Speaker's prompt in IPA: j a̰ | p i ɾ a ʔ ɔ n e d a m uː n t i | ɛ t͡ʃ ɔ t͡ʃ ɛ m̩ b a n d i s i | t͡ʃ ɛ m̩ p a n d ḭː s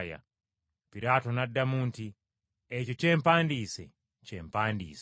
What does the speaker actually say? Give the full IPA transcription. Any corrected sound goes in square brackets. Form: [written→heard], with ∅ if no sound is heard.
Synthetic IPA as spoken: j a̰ | p i ɾ a [ʔ→t] ɔ n [e→a] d a m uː n t i | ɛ t͡ʃ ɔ t͡ʃ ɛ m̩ [b→p] a n d i s [i→ɛ] | t͡ʃ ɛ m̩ p a n d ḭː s